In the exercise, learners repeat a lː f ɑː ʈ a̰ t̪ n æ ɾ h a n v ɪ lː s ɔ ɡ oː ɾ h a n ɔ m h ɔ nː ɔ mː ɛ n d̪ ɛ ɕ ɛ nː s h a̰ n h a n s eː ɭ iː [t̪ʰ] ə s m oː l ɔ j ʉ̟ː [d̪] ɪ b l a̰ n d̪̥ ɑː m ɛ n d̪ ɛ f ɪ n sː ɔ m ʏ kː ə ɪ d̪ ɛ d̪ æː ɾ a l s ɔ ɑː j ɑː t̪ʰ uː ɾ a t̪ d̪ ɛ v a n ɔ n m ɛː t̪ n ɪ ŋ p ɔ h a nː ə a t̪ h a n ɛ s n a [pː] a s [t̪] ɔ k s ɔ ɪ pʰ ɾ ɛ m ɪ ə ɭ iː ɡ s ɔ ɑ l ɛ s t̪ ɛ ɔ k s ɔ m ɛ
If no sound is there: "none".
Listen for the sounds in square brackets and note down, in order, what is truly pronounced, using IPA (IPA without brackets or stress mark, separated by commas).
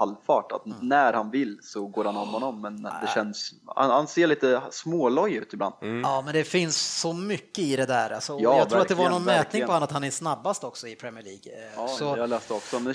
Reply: t̪, t̪, bː, t̪